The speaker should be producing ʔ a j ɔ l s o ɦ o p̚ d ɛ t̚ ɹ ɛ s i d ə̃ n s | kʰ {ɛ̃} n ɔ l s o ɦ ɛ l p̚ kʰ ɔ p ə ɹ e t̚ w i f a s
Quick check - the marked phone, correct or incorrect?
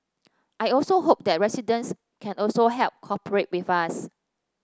correct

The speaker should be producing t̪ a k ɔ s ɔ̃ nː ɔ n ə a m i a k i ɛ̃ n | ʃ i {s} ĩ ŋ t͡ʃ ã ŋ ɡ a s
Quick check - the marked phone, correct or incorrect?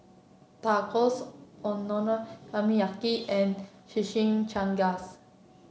incorrect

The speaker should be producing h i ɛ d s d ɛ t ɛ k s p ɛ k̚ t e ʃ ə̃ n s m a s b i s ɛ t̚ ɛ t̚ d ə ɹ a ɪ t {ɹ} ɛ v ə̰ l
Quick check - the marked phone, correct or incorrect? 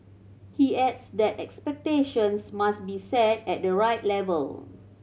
incorrect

